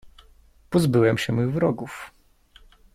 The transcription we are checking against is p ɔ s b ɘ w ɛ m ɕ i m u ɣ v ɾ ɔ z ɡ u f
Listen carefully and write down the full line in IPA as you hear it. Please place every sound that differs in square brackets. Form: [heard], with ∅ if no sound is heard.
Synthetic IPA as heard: p ɔ [z] b ɘ w ɛ m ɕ [ɛ] m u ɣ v ɾ ɔ [∅] ɡ u f